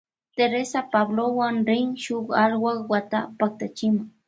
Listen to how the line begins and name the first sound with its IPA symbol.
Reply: t̪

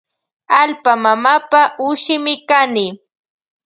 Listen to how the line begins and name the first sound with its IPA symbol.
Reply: a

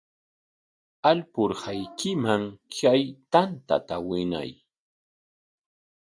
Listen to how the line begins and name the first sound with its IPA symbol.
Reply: a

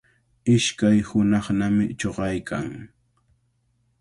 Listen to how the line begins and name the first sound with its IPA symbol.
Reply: ɪ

